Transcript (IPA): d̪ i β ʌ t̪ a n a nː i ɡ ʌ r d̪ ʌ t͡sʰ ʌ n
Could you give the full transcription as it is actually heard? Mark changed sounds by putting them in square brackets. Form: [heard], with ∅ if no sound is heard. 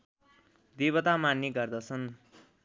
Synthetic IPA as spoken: d̪ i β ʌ t̪ a [m] a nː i ɡ ʌ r d̪ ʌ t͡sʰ ʌ n